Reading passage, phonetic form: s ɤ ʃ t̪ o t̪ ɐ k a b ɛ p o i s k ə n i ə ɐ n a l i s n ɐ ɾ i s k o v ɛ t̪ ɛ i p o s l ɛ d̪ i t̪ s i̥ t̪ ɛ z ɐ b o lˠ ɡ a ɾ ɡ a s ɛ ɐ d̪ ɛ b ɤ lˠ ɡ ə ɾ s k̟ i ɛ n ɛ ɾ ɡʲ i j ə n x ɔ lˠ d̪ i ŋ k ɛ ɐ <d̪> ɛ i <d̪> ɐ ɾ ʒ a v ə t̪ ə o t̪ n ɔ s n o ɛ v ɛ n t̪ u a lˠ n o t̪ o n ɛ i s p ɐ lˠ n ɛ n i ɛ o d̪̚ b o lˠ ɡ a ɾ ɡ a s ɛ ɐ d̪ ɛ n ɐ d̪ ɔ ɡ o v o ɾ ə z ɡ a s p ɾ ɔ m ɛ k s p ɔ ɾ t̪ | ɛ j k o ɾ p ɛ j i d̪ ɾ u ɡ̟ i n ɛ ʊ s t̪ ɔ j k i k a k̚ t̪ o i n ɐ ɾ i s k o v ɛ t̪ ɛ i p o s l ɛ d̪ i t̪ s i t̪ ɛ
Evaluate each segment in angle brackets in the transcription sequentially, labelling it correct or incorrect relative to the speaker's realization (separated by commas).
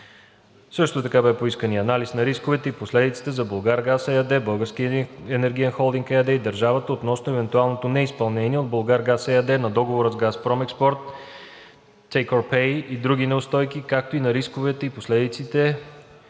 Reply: correct, correct